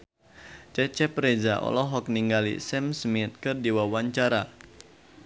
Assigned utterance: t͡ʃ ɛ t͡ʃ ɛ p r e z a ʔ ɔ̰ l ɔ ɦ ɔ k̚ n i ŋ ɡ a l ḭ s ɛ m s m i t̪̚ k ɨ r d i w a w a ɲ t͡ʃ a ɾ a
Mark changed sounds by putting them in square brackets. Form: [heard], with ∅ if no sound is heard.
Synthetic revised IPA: t͡ʃ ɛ t͡ʃ ɛ p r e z a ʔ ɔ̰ l ɔ ɦ ɔ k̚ n i ŋ ɡ a l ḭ s ɛ m s m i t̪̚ k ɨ r d i w a w a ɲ t͡ʃ a ɾ a